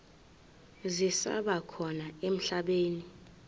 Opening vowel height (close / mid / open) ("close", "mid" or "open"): close